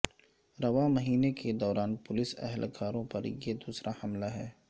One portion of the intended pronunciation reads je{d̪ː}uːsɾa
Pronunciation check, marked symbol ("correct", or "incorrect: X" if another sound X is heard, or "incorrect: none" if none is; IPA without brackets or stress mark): incorrect: d̪